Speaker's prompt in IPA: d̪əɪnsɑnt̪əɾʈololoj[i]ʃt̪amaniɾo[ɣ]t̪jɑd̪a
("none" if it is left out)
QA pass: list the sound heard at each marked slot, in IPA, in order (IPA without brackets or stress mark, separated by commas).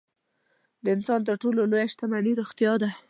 a, x